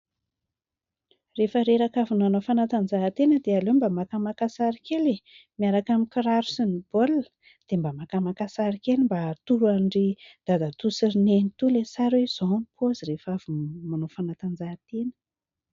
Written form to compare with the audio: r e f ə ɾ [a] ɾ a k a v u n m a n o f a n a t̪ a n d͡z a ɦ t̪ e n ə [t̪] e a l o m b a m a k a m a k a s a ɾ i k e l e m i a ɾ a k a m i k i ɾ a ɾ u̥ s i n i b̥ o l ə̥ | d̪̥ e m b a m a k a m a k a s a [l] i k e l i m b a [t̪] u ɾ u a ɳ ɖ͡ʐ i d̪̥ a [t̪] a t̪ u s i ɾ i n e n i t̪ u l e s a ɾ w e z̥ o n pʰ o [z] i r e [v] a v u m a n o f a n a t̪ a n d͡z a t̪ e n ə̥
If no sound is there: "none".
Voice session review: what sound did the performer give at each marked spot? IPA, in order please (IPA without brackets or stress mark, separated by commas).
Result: e, d̪, ɾ, t̪, d̪, z, f